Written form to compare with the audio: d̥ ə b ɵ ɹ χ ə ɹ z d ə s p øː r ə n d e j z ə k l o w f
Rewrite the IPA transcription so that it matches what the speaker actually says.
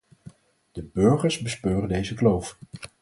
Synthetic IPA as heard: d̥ ə b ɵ ɹ χ ə ɹ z b ə s p øː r ə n d e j z ə k l o w f